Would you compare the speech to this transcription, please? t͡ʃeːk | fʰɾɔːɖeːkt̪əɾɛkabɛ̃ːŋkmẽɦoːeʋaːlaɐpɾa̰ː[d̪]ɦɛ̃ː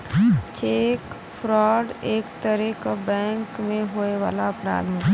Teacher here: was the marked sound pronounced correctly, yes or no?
yes